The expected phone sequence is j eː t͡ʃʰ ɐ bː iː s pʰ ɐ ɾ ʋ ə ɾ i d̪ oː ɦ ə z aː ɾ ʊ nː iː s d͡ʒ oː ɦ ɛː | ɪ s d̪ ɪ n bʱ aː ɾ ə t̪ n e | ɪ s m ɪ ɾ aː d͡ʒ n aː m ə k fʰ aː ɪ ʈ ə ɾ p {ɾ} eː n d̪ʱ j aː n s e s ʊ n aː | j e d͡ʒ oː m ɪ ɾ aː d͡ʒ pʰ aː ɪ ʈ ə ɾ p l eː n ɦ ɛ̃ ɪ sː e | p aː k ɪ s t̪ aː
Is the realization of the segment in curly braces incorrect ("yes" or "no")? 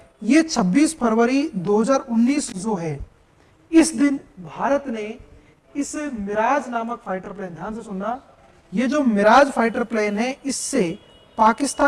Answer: yes